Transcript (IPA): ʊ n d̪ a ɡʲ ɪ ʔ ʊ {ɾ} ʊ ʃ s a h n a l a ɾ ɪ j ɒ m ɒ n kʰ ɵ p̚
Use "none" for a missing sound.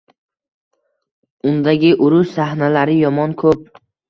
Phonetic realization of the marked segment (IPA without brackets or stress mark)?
ɾ